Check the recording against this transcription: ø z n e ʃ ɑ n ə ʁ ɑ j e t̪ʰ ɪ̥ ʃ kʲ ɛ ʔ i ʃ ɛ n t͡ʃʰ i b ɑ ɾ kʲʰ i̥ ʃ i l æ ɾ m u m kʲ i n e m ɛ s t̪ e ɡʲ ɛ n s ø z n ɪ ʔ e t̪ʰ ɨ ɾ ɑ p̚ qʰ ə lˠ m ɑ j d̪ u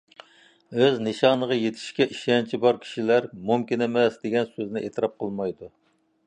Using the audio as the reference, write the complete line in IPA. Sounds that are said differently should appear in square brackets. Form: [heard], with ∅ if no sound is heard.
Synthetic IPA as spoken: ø z n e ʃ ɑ n ə ʁ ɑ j e t̪ʰ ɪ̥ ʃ kʲ ɛ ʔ i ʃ ɛ n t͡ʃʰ i b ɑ ɾ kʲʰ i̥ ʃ i l æ ɾ m u m kʲ i n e m ɛ s [d̪] e ɡʲ ɛ n s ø z n ɪ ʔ e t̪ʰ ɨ ɾ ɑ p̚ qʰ ə lˠ m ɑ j d̪ u